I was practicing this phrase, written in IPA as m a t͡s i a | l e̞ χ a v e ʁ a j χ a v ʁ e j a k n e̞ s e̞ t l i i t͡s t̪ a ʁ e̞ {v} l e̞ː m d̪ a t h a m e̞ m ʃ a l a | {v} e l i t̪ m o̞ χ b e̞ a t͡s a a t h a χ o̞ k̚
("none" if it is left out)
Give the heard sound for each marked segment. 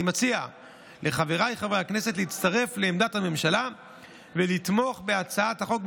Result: f, v

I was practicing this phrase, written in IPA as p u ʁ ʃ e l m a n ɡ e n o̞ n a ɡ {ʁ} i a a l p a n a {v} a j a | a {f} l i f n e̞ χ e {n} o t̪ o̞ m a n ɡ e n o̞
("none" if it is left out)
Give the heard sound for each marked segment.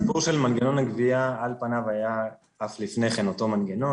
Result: v, v, f, n

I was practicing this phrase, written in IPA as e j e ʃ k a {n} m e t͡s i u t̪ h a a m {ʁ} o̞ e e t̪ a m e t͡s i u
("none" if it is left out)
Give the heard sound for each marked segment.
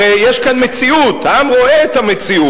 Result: n, ʁ

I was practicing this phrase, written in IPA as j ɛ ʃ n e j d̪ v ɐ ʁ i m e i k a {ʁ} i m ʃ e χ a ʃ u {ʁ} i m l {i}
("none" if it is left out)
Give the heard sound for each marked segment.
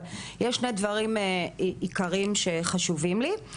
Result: ʁ, v, i

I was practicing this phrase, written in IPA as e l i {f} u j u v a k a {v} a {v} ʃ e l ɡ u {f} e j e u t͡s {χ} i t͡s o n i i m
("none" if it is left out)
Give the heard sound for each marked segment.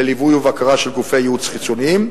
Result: v, ʁ, none, f, χ

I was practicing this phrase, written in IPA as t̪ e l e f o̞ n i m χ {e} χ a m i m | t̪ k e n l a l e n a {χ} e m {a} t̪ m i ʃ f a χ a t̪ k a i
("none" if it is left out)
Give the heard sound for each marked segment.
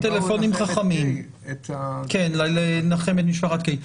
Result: a, χ, e

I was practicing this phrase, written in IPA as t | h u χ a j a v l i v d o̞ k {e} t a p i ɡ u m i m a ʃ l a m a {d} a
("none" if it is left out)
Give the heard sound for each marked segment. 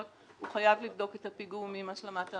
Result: e, t

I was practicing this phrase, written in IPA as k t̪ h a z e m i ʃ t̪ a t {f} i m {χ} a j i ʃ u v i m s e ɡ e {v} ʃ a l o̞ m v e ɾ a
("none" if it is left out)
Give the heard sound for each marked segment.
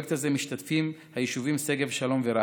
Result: f, h, v

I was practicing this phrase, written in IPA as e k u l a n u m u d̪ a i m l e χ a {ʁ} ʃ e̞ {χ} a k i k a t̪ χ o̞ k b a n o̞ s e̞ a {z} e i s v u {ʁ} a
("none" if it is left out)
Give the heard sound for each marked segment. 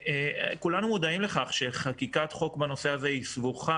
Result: χ, χ, z, χ

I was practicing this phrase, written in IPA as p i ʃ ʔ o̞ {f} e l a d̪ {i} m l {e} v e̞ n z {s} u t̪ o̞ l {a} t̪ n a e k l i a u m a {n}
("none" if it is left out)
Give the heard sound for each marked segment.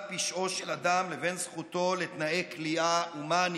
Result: ʃ, a, e, χ, e, n

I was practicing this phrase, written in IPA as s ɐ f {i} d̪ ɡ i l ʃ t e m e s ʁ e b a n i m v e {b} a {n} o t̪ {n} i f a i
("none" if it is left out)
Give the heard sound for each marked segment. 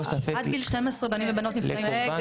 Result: a, b, n, n

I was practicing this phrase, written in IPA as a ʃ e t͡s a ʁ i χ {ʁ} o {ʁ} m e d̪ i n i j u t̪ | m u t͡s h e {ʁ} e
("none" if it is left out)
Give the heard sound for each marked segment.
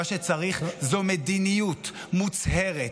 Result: z, none, ʁ

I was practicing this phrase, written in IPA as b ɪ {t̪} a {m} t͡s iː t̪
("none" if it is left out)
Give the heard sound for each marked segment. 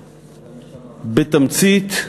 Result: t̪, m

